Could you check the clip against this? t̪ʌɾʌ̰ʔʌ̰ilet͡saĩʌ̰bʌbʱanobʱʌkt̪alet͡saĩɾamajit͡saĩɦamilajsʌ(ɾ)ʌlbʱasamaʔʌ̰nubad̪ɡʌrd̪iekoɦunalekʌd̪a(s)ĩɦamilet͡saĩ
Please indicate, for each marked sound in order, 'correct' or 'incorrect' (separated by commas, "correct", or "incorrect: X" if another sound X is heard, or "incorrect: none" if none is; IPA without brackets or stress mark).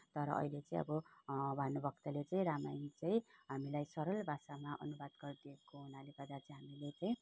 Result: correct, incorrect: t͡s